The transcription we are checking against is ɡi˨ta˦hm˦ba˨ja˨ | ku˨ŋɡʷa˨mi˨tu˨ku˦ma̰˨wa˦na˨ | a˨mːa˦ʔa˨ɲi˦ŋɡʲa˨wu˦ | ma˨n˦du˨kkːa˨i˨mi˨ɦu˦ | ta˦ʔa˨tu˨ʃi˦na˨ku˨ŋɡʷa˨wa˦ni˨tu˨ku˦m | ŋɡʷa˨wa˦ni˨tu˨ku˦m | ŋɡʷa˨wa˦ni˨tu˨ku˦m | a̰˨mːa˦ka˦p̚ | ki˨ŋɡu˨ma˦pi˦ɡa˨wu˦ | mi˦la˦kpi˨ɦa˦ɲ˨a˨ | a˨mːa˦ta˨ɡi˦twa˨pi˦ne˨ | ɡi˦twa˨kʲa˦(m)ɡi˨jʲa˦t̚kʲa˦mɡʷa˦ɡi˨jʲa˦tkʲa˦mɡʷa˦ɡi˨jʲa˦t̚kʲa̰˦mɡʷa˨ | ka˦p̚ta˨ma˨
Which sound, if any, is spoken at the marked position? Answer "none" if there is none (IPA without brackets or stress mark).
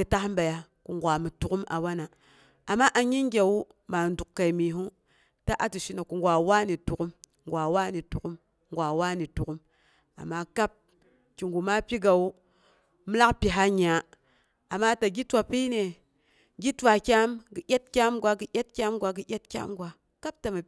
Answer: m